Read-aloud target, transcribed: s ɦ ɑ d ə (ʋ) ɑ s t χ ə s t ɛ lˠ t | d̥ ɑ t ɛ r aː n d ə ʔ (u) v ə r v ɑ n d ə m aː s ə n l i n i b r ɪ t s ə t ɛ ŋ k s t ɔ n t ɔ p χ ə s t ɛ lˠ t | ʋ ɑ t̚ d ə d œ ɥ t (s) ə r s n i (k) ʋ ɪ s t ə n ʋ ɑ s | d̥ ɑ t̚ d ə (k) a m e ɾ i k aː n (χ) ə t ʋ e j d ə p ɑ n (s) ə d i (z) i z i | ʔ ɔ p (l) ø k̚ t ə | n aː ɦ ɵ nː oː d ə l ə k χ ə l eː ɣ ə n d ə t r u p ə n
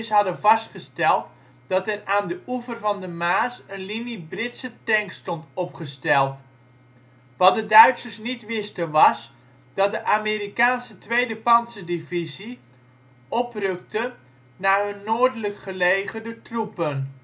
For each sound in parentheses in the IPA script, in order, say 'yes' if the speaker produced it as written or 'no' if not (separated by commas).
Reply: no, yes, yes, no, no, no, yes, no, no